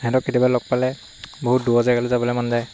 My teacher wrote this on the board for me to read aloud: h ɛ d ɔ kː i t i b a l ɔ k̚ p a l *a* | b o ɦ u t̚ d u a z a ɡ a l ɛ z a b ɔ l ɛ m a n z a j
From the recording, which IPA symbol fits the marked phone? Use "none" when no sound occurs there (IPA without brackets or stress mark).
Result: ɛ